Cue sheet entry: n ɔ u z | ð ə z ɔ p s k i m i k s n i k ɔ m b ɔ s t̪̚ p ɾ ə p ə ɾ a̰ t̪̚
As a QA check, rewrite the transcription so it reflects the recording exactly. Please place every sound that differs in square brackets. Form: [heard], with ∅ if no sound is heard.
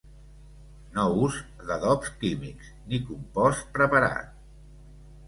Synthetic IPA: n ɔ u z | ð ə [ð] ɔ p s k i m i k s n i k [u] m [p] ɔ s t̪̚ p ɾ ə p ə ɾ a̰ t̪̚